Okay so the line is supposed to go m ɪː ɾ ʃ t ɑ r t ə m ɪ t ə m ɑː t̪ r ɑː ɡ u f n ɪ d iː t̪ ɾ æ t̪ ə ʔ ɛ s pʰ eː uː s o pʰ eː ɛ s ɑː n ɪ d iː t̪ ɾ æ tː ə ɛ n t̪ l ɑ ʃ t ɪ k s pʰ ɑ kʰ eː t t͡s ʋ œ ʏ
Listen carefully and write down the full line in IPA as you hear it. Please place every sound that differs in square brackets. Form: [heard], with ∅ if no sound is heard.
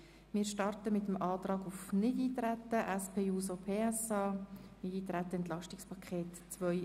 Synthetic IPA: m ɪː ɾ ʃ t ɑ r t ə m ɪ t ə m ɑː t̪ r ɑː ɡ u f n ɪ d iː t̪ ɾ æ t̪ ə ʔ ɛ s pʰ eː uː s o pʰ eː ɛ s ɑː n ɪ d iː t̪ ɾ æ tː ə ɛ n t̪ l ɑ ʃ t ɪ k s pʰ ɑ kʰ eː t t͡s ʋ œ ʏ